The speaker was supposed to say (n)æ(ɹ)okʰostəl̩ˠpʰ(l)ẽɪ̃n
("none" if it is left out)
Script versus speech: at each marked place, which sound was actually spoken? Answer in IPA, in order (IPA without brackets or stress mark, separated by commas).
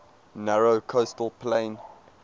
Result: n, ɹ, l